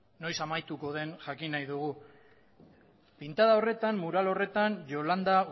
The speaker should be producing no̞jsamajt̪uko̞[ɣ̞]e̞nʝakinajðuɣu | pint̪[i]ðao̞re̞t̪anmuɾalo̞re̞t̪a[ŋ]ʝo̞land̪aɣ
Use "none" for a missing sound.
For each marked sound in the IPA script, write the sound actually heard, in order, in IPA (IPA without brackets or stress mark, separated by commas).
ð̞, a, n